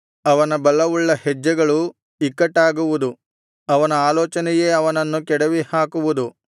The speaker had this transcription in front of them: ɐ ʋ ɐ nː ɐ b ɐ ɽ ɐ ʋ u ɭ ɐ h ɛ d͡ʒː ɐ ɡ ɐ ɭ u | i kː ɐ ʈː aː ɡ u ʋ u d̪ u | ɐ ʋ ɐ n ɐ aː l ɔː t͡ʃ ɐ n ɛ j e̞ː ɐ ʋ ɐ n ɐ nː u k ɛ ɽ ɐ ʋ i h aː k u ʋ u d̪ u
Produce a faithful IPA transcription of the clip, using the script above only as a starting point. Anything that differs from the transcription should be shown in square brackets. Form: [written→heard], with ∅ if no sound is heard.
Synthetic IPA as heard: ɐ ʋ ɐ [nː→n] ɐ b ɐ [ɽ→l] ɐ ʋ u [ɭ→ɭː] ɐ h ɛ d͡ʒː ɐ ɡ ɐ ɭ u | i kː ɐ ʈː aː ɡ u ʋ u d̪ u | ɐ ʋ ɐ n ɐ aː l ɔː t͡ʃ ɐ n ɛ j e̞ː ɐ ʋ ɐ n ɐ nː u k ɛ ɽ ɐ ʋ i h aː k u ʋ u d̪ u